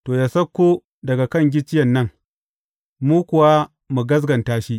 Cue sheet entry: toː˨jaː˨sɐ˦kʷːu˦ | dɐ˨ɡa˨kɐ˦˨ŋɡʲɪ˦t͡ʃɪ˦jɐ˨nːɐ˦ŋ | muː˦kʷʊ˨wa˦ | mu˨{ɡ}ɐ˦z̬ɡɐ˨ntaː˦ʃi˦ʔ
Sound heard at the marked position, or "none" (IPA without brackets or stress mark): ɡ